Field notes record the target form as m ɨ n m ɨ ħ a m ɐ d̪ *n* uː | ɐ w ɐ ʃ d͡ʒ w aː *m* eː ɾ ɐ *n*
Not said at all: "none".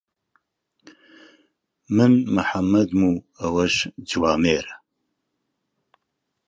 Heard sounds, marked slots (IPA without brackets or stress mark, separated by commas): m, m, none